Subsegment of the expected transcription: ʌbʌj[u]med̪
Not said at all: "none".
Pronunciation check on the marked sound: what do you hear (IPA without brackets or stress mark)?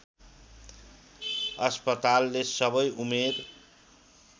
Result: u